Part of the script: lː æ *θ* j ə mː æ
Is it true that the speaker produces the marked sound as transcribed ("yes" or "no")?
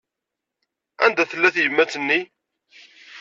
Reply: yes